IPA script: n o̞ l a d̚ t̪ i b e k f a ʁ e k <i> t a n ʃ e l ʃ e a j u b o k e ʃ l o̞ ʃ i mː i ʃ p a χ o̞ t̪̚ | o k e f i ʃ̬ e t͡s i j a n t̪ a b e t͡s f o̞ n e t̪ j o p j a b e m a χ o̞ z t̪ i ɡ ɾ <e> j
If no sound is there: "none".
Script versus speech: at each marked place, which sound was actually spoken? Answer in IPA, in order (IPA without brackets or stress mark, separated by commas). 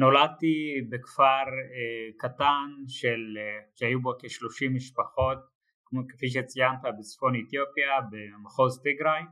a, a